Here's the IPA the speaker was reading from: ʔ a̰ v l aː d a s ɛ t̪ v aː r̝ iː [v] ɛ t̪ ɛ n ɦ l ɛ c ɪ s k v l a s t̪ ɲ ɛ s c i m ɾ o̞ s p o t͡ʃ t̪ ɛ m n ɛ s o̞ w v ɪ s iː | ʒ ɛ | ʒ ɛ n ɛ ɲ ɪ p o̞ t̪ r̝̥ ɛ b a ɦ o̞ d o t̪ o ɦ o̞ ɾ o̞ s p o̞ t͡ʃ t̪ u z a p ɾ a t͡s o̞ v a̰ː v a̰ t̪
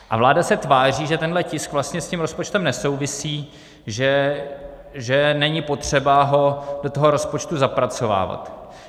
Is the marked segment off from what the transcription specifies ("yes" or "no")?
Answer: yes